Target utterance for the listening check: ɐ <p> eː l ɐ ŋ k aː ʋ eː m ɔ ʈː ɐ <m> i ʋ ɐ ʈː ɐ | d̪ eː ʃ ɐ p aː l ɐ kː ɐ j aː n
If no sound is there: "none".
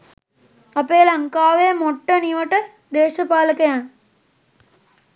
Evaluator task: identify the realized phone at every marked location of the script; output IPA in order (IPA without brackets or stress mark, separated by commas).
p, n